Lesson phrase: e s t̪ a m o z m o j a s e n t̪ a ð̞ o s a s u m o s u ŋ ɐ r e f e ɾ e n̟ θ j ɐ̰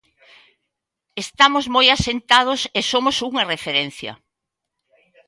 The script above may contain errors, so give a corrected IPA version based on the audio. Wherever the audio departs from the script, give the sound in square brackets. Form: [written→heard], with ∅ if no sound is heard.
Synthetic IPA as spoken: e s t̪ a m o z m o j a s e n t̪ a ð̞ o s [a→e] s [u→o] m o s u ŋ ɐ r e f e ɾ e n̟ θ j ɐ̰